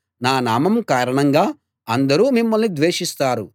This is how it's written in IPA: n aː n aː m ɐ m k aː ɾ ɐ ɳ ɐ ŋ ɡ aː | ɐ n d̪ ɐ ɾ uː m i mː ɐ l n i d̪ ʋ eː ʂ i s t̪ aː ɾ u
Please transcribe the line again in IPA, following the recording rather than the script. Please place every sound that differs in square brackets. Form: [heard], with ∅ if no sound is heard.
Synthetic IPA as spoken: n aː n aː m ɐ m k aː ɾ ɐ ɳ ɐ ŋ ɡ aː | ɐ n d̪ ɐ ɾ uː m i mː ɐ l n i d̪ ʋ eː ʂ i s t̪ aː ɾ u